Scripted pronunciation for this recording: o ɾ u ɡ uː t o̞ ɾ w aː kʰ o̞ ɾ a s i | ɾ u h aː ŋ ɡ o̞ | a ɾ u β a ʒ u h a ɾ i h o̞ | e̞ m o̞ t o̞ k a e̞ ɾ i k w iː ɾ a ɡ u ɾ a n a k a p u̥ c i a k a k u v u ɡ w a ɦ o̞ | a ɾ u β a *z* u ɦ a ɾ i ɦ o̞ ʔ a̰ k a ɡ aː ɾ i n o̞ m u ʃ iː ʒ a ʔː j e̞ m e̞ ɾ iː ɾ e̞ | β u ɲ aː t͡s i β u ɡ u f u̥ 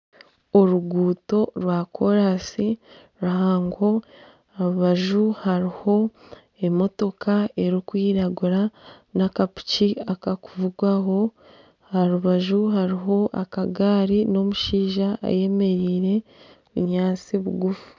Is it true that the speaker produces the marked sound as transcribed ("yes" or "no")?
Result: no